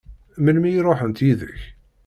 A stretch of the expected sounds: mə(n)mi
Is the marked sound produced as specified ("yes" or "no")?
yes